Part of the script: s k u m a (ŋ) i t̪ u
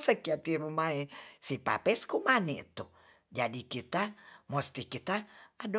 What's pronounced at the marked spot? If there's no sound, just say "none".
n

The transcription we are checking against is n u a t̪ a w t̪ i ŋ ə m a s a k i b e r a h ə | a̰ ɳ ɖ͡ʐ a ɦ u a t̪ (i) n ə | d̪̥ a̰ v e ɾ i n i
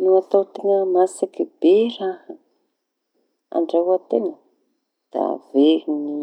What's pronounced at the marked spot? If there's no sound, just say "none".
e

